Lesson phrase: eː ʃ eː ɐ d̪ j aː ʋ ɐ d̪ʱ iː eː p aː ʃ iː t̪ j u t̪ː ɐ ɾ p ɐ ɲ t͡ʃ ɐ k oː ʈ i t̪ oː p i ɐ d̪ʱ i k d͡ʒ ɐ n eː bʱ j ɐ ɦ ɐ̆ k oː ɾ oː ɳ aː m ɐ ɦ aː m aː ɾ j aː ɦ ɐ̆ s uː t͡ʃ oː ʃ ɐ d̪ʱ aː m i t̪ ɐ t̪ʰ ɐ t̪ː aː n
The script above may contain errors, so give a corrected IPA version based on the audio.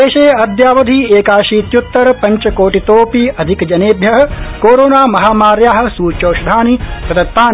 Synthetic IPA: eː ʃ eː ɐ d̪ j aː ʋ ɐ d̪ʱ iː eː k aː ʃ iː t̪ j u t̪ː ɐ ɾ p ɐ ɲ t͡ʃ ɐ k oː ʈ i t̪ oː p i ɐ d̪ʱ i k d͡ʒ ɐ n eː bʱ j ɐ ɦ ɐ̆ k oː ɾ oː n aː m ɐ ɦ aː m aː ɾ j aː ɦ ɐ̆ s uː t͡ʃ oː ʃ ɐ d̪ʱ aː n i t̪ ɐ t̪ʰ ɐ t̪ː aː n